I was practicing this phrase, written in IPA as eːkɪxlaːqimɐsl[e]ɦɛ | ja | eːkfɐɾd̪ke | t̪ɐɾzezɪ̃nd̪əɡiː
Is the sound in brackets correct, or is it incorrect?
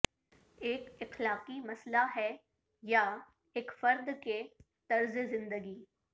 incorrect: a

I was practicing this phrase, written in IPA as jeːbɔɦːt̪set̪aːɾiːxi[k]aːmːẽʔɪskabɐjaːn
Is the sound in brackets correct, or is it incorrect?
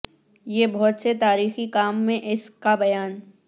correct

